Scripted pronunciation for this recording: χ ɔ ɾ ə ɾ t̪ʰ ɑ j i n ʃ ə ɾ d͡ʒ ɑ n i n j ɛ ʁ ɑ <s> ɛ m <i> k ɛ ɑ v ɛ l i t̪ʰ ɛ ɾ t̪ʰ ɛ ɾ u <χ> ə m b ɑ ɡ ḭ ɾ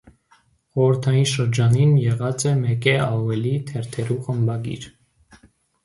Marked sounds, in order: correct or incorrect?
incorrect, incorrect, correct

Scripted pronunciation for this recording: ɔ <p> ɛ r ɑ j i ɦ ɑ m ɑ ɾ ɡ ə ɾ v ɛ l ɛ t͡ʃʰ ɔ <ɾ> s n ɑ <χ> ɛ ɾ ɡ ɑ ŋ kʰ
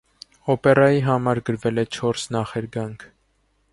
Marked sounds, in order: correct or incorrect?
correct, correct, correct

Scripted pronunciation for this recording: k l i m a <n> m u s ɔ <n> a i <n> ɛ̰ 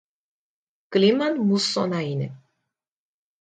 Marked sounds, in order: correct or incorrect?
correct, correct, correct

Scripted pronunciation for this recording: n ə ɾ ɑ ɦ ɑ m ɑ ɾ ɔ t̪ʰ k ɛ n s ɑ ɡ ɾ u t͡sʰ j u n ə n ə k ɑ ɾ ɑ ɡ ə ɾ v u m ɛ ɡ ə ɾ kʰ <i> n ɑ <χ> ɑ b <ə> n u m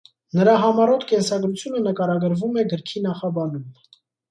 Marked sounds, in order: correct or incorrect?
correct, correct, incorrect

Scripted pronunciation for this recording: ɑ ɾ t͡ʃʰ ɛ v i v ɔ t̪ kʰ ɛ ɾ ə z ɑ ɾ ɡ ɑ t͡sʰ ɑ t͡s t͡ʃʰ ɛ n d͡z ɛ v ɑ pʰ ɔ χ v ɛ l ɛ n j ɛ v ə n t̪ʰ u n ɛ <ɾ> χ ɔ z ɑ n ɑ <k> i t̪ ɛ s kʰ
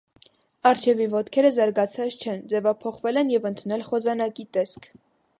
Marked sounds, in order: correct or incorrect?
incorrect, correct

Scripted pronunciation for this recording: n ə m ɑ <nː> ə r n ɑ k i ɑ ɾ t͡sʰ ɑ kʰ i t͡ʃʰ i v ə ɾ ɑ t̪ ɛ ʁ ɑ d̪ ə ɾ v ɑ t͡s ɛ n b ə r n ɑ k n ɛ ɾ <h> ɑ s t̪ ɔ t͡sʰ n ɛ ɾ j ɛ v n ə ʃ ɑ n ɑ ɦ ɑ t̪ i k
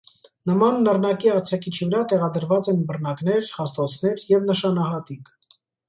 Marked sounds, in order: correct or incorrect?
correct, correct

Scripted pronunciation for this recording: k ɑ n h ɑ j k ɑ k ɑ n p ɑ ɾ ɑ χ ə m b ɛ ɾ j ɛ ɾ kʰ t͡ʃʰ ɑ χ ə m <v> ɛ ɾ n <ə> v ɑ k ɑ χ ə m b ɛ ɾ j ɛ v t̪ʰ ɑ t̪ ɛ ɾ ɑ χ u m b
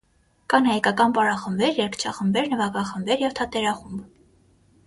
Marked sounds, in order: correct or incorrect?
incorrect, correct

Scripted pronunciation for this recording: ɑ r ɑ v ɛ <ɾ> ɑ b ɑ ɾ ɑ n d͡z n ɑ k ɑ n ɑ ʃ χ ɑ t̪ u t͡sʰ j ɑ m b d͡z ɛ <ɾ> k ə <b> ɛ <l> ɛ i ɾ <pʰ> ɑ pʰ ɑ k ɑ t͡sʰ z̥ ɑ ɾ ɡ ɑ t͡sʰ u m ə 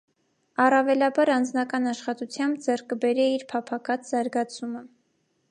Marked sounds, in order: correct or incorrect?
incorrect, incorrect, correct, incorrect, correct

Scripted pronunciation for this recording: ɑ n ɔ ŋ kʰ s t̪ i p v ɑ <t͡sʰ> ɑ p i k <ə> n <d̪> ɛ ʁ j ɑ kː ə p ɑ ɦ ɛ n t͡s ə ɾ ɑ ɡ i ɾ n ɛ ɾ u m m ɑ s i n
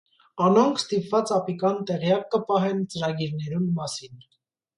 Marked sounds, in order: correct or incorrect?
incorrect, incorrect, incorrect

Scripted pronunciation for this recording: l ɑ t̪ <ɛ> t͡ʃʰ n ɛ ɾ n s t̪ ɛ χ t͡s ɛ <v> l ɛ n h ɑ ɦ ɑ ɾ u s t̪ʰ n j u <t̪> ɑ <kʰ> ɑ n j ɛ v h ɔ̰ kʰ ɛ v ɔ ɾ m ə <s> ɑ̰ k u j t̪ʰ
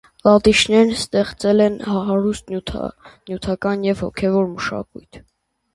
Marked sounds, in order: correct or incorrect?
incorrect, incorrect, incorrect, incorrect, incorrect

